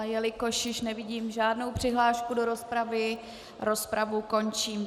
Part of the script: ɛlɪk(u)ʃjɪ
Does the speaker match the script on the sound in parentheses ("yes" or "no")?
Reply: no